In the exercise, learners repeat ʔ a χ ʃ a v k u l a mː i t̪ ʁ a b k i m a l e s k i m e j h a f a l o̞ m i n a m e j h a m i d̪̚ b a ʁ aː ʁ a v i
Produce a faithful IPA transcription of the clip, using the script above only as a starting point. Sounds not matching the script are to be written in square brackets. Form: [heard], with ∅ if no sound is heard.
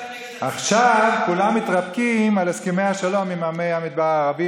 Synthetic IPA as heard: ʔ a χ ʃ a v k u l a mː i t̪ ʁ a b k i m a l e s k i m e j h a [ʃ] a l o̞ m i [m] a m e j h a m i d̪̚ b a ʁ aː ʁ a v i